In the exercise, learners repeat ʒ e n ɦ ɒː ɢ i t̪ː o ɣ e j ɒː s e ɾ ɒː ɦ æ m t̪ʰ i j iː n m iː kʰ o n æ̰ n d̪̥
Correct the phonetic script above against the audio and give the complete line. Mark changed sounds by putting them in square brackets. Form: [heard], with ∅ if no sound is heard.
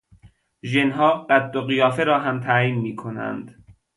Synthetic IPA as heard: ʒ e n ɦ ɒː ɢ [æ] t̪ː o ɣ [i] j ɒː [f] e ɾ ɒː ɦ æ m t̪ʰ [æ] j iː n m iː kʰ o n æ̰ n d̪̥